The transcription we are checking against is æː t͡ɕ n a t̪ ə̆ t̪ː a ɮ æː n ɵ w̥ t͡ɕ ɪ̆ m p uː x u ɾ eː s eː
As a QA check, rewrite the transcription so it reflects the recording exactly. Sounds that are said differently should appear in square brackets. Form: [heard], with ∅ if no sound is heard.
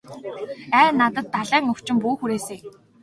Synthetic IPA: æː [∅] n a t̪ ə̆ t̪ː a ɮ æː [ŋ] ɵ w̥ t͡ɕ ɪ̆ m p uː x u ɾ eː s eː

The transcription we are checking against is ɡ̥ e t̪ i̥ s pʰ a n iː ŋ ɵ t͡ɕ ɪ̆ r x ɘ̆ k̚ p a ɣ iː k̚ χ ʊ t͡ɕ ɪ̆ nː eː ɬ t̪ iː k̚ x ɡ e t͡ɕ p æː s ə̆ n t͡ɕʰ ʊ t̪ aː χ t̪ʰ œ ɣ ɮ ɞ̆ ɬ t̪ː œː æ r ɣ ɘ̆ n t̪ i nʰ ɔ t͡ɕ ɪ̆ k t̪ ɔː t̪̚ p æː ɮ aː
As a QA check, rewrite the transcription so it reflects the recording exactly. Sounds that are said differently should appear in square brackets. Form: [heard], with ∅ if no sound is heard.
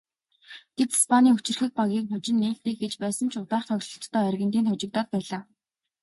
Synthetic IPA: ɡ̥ e t̪ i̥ s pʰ a n iː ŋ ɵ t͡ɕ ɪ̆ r x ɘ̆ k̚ p a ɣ iː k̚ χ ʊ t͡ɕ ɪ̆ nː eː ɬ t̪ iː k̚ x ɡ e t͡ɕ p æː s ə̆ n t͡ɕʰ ʊ t̪ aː χ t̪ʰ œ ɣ ɮ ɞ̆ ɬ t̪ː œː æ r ɣ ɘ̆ n t̪ [iː] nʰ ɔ t͡ɕ ɪ̆ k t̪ ɔː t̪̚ p æː ɮ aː

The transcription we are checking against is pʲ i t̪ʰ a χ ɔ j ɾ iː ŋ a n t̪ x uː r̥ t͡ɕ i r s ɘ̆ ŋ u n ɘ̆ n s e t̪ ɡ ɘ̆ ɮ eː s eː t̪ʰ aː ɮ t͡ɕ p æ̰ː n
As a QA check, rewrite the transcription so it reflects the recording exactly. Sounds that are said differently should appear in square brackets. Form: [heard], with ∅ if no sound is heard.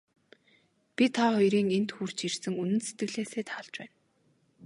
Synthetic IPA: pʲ i t̪ʰ a χ ɔ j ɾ iː ŋ [e] n t̪ x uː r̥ t͡ɕ i r s ɘ̆ ŋ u n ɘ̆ n s e t̪ ɡ ɘ̆ ɮ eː s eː t̪ʰ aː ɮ t͡ɕ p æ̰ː n

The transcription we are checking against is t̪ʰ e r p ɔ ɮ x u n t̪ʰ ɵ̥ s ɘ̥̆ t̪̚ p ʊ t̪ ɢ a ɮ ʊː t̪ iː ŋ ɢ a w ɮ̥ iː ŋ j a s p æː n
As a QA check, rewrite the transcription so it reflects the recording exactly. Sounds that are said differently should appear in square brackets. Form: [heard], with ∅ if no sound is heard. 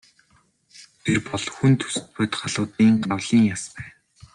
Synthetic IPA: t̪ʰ e r p ɔ ɮ x u n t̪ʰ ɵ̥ s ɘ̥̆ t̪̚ p ʊ t̪ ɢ a ɮ ʊː t̪ iː ŋ ɢ a w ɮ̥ iː ŋ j a s p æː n

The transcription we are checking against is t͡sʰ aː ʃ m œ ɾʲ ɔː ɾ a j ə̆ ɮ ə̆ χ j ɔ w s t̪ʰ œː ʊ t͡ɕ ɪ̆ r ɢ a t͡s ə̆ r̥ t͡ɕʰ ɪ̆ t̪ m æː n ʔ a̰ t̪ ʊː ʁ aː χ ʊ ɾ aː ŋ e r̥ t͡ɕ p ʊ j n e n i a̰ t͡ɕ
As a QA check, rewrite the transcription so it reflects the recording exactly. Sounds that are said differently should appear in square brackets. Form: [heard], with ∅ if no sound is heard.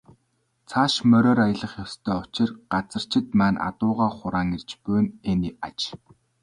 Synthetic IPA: t͡sʰ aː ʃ m œ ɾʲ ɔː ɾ a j ə̆ ɮ ə̆ χ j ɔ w s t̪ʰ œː ʊ t͡ɕ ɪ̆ r ɢ a t͡s ə̆ r̥ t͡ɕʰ ɪ̆ t̪ m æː n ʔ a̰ t̪ ʊː ʁ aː χ ʊ ɾ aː ŋ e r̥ t͡ɕ p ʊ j n e n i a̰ t͡ɕ

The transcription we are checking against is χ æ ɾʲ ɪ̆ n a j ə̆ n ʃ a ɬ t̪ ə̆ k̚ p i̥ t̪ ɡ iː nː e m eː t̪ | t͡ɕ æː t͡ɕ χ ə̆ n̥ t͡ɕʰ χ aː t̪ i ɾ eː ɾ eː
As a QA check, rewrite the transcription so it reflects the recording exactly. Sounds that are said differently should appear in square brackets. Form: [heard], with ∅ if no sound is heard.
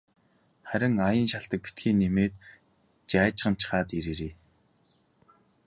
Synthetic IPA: χ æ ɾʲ ɪ̆ [ŋ] a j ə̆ n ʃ a ɬ t̪ ə̆ k̚ p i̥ t̪ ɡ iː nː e m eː t̪ | t͡ɕ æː t͡ɕ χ ə̆ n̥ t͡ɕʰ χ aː t̪ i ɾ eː ɾ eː

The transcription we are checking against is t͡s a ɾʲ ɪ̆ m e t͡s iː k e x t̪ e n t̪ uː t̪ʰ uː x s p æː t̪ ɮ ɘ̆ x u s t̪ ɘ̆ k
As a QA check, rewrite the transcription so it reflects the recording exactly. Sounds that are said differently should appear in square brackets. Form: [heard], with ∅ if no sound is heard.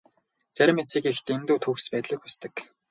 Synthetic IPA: t͡s [æ] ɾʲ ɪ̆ m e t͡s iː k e x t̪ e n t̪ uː t̪ʰ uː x s p æː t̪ ɮ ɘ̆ x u s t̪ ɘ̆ k

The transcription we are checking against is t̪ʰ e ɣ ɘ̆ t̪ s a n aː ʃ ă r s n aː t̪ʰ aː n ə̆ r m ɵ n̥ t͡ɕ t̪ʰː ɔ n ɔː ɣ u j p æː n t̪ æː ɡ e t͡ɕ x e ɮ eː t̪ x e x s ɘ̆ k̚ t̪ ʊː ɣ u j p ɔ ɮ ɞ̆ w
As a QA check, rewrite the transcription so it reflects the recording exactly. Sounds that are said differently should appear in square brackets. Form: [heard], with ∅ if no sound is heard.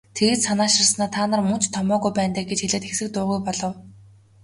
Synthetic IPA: t̪ʰ e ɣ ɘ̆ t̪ s a n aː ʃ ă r s n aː t̪ʰ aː n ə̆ r m ɵ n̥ t͡ɕ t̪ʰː ɔ [m] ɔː ɣ u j p æː n t̪ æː ɡ e t͡ɕ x e ɮ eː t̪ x e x s ɘ̆ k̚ t̪ ʊː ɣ u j p ɔ ɮ ɞ̆ w

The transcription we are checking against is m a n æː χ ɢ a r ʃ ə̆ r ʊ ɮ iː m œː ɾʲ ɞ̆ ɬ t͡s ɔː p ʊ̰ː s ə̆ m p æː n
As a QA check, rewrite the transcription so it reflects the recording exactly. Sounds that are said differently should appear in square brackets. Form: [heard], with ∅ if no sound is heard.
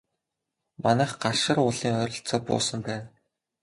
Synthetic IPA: m a n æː χ ɢ a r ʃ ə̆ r ʊ ɮ iː [ŋ] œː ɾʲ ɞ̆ ɬ t͡s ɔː p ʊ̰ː s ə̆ m p æː n

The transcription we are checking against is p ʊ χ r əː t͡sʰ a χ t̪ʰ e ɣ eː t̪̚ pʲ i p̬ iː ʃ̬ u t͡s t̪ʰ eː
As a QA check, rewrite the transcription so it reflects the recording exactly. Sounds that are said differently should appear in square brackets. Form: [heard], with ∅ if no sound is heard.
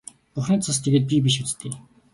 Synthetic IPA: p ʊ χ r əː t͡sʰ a [s] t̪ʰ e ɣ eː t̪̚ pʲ i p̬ [i] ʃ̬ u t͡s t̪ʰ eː

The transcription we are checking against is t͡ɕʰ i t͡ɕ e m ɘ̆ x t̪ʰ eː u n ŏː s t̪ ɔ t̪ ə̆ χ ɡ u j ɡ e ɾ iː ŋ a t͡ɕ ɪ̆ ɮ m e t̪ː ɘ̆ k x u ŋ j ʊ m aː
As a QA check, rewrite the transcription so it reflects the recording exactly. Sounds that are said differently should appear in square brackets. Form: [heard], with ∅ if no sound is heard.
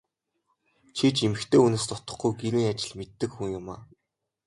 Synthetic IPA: t͡ɕʰ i t͡ɕ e m ɘ̆ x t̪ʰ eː u n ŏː s t̪ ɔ t̪ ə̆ χ ɡ u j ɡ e ɾ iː ŋ a t͡ɕ ɪ̆ ɮ m e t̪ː ɘ̆ k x u ŋ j ʊ m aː

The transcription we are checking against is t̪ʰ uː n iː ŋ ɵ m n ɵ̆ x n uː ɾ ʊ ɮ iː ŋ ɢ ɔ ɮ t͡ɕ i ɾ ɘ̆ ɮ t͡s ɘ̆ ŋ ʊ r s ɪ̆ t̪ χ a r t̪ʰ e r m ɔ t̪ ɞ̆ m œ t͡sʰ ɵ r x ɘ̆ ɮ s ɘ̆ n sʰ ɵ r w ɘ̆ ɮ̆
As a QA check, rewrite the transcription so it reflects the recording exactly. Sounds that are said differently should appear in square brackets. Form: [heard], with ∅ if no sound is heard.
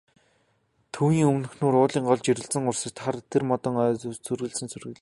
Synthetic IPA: t̪ʰ uː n iː ŋ ɵ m n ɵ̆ x n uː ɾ [ʊː] ɮ iː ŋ ɢ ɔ ɮ t͡ɕ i ɾ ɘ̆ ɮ t͡s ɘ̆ ŋ ʊ r s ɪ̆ t̪ χ a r t̪ʰ e r m ɔ t̪ ɞ̆ [ŋ] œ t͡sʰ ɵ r [ɣ] ɘ̆ ɮ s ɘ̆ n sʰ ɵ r [ɣ] ɘ̆ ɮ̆

